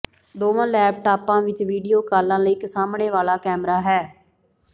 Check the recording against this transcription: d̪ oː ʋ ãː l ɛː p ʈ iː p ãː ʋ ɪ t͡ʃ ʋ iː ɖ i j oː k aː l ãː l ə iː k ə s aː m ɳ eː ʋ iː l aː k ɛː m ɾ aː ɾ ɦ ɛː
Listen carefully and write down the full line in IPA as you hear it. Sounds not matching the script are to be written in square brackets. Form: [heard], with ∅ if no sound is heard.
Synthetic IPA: d̪ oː ʋ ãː l ɛː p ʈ [aː] p ãː ʋ ɪ t͡ʃ ʋ iː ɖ i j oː k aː l ãː l ə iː k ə s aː m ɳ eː ʋ [aː] l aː k ɛː m ɾ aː [∅] ɦ ɛː